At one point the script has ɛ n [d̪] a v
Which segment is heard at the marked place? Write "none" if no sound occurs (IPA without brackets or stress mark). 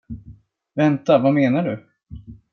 t̪